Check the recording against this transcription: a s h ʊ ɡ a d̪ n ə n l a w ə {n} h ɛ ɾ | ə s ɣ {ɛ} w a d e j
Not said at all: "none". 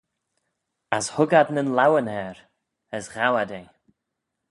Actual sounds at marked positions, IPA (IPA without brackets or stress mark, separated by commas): n, a